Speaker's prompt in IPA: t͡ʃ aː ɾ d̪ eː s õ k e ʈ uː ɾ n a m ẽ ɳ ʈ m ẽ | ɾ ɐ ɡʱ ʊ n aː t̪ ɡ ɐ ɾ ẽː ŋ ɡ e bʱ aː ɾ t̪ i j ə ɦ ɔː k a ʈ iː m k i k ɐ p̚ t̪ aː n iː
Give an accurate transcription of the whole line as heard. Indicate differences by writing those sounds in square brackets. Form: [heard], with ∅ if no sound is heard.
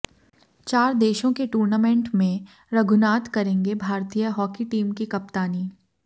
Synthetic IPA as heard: t͡ʃ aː ɾ d̪ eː [ʃ] õ k e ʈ uː ɾ n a m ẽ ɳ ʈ m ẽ | ɾ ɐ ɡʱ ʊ n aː t̪ [k] ɐ ɾ ẽː ŋ ɡ e bʱ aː ɾ t̪ i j ə ɦ ɔː k [i] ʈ iː m k i k ɐ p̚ t̪ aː n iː